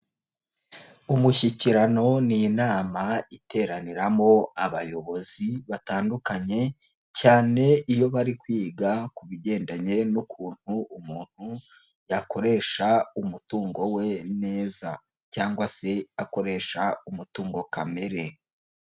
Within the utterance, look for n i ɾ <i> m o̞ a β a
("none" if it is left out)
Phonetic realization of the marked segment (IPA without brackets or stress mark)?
a